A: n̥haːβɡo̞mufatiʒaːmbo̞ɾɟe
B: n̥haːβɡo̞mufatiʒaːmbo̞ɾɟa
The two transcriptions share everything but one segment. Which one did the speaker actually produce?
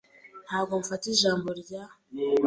B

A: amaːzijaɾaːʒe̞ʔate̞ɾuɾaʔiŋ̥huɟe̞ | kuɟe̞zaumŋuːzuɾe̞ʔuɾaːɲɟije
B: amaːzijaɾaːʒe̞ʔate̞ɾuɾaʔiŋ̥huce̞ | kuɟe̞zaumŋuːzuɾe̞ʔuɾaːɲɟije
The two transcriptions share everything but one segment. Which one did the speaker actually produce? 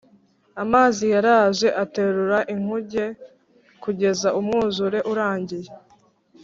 A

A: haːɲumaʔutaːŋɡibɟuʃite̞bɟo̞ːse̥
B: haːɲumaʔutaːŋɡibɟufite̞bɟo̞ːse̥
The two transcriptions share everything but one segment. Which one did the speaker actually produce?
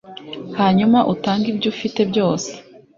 B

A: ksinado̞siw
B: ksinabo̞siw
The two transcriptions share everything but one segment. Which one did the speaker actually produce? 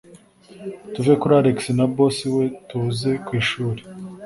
B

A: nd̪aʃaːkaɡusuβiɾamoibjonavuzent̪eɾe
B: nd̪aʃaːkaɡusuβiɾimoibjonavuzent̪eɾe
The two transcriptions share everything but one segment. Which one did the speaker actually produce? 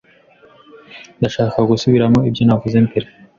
A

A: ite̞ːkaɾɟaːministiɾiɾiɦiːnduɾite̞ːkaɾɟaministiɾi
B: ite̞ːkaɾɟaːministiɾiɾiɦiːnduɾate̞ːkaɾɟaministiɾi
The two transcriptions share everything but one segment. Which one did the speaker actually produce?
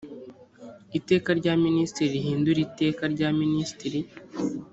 A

